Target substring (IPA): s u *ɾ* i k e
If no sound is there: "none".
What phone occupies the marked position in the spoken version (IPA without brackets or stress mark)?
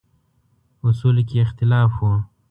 l